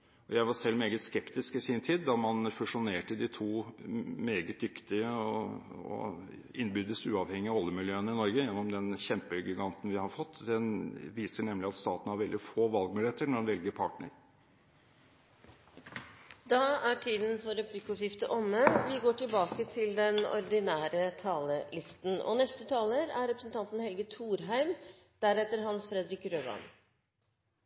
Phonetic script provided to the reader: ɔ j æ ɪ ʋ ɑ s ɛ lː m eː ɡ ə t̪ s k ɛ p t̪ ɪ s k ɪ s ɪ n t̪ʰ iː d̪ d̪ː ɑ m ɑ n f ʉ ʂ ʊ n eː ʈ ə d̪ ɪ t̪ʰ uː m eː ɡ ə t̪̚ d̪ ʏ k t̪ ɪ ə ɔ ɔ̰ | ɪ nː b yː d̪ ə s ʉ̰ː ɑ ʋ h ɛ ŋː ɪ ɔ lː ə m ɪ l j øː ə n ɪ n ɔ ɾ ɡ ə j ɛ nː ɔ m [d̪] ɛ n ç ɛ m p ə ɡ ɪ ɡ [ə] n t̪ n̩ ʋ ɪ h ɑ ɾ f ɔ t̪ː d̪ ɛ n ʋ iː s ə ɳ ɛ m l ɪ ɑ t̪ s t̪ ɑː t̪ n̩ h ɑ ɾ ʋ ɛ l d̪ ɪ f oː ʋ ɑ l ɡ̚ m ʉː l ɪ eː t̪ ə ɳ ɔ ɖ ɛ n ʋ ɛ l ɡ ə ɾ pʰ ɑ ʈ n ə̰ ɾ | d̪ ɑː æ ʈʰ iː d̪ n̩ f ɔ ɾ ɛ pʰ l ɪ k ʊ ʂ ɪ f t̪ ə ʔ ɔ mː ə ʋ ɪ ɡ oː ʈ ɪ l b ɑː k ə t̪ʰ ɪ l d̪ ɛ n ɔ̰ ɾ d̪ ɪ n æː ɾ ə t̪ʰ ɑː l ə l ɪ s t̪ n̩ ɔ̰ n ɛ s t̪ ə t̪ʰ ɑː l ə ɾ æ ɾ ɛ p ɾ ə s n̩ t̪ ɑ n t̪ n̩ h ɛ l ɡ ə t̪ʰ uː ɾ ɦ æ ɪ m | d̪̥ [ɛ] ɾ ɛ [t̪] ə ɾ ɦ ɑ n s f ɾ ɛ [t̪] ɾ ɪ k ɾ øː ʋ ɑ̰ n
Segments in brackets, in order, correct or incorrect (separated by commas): correct, incorrect, incorrect, correct, incorrect